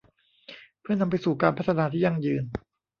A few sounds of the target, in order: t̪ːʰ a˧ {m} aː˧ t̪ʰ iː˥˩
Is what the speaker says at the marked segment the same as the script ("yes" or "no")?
no